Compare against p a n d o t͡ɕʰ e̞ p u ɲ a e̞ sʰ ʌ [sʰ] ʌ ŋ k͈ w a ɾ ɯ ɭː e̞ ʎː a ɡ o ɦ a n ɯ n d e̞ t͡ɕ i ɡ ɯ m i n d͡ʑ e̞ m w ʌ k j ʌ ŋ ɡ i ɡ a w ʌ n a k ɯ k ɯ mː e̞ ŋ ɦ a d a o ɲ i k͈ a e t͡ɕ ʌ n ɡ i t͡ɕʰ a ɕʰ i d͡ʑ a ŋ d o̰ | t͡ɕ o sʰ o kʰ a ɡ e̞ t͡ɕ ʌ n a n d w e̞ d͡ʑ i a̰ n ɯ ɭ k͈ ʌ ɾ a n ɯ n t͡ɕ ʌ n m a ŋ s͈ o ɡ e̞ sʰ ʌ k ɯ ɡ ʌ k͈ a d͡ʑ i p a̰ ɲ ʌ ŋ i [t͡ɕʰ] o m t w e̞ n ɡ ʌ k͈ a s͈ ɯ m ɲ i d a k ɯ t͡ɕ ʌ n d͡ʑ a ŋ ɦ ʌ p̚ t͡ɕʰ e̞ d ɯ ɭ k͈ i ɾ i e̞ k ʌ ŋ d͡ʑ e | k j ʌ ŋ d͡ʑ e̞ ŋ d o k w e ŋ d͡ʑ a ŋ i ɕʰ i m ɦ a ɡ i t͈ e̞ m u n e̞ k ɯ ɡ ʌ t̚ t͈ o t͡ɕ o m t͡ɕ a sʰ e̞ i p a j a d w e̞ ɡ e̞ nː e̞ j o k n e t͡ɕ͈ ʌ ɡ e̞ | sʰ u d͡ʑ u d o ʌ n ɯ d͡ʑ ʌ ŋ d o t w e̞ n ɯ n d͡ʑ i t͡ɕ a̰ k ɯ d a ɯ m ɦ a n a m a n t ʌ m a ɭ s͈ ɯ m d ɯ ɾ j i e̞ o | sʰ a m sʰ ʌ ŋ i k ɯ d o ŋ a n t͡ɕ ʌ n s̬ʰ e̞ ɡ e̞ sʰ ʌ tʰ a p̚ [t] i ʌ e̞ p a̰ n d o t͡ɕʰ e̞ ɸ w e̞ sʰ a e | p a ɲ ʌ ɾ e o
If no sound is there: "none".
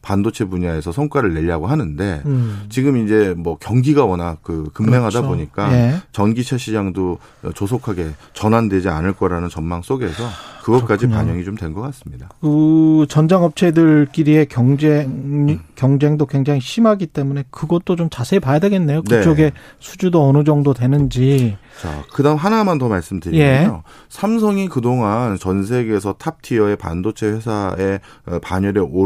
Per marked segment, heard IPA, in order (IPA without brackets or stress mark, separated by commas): sʰ, t͡ɕ, tʰ